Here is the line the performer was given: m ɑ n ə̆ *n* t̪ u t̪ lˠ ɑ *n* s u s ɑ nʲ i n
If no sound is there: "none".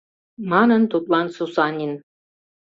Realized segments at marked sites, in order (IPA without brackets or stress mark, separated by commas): n, n